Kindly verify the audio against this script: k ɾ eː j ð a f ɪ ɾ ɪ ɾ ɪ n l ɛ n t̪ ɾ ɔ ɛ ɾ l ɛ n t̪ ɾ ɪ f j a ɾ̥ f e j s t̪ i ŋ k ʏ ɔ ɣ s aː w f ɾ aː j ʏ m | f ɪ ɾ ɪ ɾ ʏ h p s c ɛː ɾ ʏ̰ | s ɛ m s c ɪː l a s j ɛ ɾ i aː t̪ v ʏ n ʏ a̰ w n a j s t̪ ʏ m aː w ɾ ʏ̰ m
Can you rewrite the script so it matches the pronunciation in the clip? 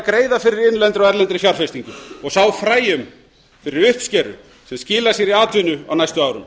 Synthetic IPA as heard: k ɾ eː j ð a f ɪ ɾ ɪ ɾ ɪ n l ɛ n t̪ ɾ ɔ ɛ ɾ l ɛ n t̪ ɾ ɪ f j a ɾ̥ f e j s t̪ i ŋ k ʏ ɔ ɣ s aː w f ɾ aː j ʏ m | f ɪ ɾ ɪ ɾ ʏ h p s c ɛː ɾ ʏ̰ | s ɛ m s c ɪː l a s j ɛ ɾ i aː t̪ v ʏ n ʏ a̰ w n a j s t̪ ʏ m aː w ɾ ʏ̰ m

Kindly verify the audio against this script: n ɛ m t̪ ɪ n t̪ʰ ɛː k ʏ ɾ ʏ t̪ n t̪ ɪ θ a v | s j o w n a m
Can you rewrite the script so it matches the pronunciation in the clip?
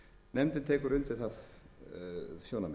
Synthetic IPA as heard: n ɛ m t̪ ɪ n t̪ʰ ɛː k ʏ ɾ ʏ n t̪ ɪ θ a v | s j o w n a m

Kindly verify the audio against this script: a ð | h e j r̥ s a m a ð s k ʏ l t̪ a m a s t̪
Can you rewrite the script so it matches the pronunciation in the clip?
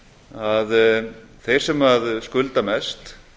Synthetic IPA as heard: a ð | θ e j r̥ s ɛ m a ð s k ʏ l t̪ a m ɛ s t̪

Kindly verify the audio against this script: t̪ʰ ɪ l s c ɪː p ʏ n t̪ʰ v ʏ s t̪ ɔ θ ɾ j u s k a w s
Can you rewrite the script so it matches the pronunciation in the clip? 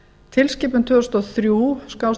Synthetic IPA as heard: t̪ʰ ɪ l s c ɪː p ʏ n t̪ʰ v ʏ s t̪ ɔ θ ɾ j u s k a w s

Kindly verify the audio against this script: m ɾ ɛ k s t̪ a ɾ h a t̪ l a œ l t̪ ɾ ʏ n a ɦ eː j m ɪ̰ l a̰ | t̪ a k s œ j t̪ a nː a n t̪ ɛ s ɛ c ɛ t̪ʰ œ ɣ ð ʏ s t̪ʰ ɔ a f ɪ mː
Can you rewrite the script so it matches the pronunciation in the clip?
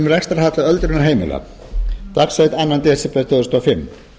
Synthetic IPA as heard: m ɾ ɛ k s t̪ a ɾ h a t̪ l a œ l t̪ ɾ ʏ n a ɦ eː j m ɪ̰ l a̰ | t̪ a k s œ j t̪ a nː a n t̪ ɛ s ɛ p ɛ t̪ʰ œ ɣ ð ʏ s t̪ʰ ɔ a f ɪ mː

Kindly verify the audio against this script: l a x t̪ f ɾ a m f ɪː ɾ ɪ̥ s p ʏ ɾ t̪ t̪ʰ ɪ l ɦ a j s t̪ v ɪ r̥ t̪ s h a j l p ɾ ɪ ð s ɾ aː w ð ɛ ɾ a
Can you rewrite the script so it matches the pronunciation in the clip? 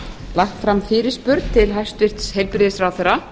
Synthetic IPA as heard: l a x t̪ f ɾ a m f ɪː ɾ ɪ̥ s p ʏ ɾ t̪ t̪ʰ ɪ l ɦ a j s t̪ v ɪ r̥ t̪ s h e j l p ɾ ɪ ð s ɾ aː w θ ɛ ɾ a

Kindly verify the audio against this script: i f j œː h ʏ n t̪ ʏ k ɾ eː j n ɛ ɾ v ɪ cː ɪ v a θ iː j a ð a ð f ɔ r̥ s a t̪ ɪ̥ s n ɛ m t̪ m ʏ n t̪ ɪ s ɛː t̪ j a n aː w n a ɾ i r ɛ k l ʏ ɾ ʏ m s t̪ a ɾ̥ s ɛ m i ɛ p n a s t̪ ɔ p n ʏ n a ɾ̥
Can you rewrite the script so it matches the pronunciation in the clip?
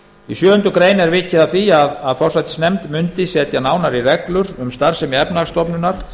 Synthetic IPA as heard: i s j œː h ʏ n t̪ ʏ k ɾ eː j n ɛ ɾ v ɪ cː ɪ ð a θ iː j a ð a ð f ɔ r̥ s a t̪ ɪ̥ s n ɛ m t̪ m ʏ n t̪ ɪ s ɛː t̪ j a n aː w n a ɾ i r ɛ k l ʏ ɾ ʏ m s t̪ a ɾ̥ s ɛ m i ɛ p n a s t̪ ɔ p n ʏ n a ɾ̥

